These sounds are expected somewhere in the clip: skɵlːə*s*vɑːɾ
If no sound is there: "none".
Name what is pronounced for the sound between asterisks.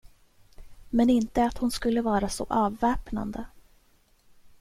none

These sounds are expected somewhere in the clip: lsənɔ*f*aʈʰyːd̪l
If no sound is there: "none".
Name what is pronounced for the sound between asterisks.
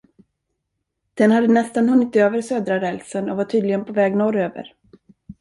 v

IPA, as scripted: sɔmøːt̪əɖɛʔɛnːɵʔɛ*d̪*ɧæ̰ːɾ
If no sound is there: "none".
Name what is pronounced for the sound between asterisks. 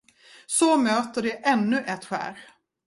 t̪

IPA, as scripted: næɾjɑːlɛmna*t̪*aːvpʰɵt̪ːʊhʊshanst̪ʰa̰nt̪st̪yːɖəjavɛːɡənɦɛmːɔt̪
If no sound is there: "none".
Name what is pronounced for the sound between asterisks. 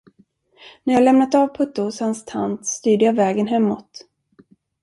t̪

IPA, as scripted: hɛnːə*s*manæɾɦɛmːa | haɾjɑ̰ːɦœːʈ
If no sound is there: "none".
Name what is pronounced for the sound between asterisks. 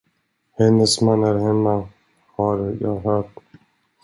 s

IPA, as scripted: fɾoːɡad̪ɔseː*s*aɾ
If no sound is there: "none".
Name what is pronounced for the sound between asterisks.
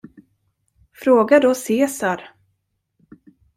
s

